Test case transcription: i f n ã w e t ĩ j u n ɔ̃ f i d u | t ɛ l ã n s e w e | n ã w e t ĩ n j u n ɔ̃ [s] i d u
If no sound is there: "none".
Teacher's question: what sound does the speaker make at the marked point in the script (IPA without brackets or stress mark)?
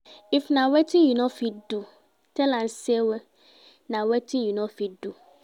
f